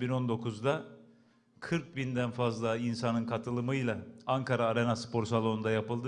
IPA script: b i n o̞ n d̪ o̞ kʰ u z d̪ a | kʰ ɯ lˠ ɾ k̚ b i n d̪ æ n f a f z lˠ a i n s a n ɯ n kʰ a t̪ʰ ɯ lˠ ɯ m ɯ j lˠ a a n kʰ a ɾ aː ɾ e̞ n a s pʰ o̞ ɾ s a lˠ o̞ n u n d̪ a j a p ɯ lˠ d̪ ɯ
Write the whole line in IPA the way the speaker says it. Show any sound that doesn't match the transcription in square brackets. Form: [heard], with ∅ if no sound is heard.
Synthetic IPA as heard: b i n o̞ n d̪ o̞ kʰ u z d̪ a | kʰ ɯ [∅] ɾ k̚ b i n d̪ æ n f a [∅] z lˠ a i n s a n ɯ n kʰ a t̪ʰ ɯ lˠ ɯ m ɯ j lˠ a a [ŋ] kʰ a ɾ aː ɾ e̞ n a s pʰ o̞ ɾ s a lˠ o̞ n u n d̪ a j a p ɯ lˠ d̪ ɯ